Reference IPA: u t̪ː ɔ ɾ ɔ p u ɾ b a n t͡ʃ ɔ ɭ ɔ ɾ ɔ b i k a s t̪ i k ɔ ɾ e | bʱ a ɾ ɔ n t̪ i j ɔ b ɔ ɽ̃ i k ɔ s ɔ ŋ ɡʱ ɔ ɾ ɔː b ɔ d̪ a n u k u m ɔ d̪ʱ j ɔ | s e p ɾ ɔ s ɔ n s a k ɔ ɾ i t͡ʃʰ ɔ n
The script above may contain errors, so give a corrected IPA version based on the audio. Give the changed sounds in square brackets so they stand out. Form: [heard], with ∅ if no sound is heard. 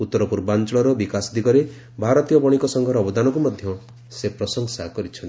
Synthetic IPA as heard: u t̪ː ɔ ɾ ɔ p u ɾ b a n t͡ʃ ɔ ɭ ɔ ɾ ɔ b i k a s [d̪] i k ɔ ɾ e | bʱ a ɾ ɔ [∅] t̪ i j ɔ b ɔ ɽ̃ i k ɔ s ɔ ŋ ɡʱ ɔ ɾ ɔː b ɔ d̪ a n [ɔ] k u m ɔ d̪ʱ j ɔ | s e p ɾ ɔ s ɔ [ŋ] s a k ɔ ɾ i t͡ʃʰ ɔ n